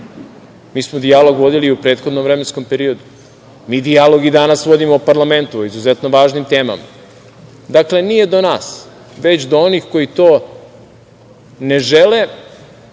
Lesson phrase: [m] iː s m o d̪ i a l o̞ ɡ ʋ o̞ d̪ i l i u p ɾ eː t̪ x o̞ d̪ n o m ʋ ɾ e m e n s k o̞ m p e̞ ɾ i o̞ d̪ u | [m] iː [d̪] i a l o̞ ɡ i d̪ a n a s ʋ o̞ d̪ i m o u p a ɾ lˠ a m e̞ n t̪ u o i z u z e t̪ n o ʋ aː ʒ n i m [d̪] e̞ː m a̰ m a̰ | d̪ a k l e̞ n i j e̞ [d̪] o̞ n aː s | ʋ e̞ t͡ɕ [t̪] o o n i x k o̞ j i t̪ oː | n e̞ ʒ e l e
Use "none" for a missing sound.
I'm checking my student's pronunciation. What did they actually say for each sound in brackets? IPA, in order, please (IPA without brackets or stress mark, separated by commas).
m, m, d̪, t̪, d̪, d̪